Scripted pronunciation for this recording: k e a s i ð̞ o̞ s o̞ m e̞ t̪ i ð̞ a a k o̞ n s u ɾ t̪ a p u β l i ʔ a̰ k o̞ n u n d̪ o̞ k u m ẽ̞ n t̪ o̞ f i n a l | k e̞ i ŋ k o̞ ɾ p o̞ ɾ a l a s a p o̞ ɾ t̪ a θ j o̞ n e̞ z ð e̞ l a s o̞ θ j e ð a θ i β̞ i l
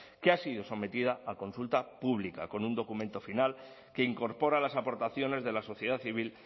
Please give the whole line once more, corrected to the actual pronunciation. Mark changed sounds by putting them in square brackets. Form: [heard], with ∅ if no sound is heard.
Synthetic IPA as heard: k e a s i ð̞ o̞ s o̞ m e̞ t̪ i ð̞ a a k o̞ n s u [l] t̪ a p u β l i [k] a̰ k o̞ n u n d̪ o̞ k u m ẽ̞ n t̪ o̞ f i n a l | k e̞ i ŋ k o̞ ɾ p o̞ ɾ a l a s a p o̞ ɾ t̪ a θ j o̞ n e̞ z ð e̞ l a s o̞ θ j e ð a θ i β̞ i l